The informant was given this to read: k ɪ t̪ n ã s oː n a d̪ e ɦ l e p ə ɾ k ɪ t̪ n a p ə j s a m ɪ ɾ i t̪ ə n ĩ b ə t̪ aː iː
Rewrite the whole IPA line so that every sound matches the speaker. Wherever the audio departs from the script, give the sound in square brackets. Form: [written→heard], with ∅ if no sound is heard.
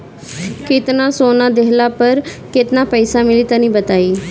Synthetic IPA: k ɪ t̪ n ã s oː n a d̪ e ɦ l [e→a] p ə ɾ k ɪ t̪ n a p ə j s a m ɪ [ɾ→l] i t̪ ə n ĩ b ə t̪ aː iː